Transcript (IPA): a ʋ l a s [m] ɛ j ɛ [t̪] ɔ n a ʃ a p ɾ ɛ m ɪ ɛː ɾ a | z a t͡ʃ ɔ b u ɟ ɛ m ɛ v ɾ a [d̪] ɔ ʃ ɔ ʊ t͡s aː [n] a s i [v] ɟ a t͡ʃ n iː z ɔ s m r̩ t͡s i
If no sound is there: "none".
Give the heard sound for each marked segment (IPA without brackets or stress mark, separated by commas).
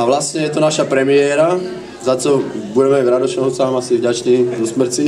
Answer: ɲ, t̪, d̪, m, v